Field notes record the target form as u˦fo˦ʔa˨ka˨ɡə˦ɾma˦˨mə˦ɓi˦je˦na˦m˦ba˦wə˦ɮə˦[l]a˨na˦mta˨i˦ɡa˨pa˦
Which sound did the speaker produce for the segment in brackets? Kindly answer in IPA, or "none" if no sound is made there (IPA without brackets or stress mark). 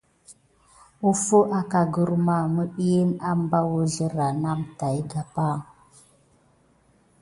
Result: ɾ